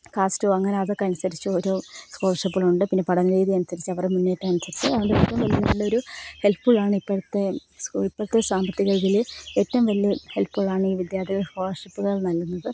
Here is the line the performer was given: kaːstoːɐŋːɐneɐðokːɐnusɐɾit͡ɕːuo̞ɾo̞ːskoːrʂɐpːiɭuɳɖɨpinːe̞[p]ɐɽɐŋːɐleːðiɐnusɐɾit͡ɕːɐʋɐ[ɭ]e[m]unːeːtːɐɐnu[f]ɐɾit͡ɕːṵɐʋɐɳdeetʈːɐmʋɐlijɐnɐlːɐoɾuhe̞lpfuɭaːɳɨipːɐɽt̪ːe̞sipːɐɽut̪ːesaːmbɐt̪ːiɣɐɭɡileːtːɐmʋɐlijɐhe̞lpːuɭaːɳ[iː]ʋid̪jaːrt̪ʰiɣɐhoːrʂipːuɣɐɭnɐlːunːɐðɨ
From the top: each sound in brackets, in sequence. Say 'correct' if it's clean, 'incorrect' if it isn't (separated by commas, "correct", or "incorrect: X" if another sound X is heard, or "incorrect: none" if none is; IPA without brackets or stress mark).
correct, incorrect: r, correct, incorrect: s, correct